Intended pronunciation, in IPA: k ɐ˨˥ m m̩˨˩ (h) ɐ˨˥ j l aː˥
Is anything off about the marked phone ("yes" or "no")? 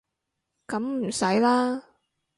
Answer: yes